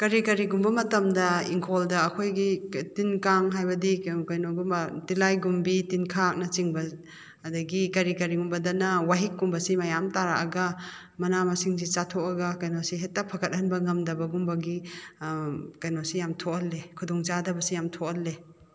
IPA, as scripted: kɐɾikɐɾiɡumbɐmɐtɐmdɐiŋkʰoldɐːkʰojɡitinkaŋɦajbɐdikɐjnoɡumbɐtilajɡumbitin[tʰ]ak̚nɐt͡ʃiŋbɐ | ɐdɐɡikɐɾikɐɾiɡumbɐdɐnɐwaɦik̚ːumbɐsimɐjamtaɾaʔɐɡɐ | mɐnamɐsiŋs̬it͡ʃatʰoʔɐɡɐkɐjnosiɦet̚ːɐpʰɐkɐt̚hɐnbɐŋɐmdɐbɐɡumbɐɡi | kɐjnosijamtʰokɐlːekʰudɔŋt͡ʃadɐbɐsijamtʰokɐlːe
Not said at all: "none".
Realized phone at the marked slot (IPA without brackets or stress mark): kʰ